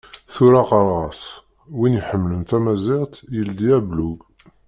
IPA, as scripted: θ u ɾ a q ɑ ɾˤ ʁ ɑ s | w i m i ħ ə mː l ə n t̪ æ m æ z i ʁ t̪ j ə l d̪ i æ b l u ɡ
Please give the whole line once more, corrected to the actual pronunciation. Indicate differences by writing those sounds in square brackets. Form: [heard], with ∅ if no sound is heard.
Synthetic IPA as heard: θ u ɾ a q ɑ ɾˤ ʁ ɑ s | w i [n] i ħ ə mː l ə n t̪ æ m æ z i ʁ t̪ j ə l d̪ i æ b l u ɡ